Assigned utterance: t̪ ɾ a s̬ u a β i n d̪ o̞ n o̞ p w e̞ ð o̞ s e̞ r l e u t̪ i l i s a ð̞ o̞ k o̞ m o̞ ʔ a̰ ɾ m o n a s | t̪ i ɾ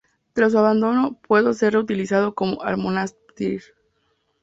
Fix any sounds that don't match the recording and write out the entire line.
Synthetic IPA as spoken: t̪ ɾ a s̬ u a β a n d̪ o̞ n o̞ p w e̞ ð o̞ s e̞ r r e u t̪ i l i s a ð̞ o̞ k o̞ m o̞ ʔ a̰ ɾ m o n a s | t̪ i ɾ